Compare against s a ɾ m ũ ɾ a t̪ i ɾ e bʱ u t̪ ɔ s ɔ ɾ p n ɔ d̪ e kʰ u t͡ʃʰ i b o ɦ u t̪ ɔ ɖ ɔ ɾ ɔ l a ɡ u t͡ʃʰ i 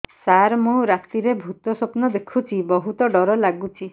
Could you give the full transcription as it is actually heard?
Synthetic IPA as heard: s a ɾ m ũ ɾ a t̪ i ɾ e bʱ u t̪ ɔ s ɔ p n ɔ d̪ e kʰ u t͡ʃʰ i b ɔ ɦ u t̪ ɔ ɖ ɔ ɾ ɔ l a ɡ u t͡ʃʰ i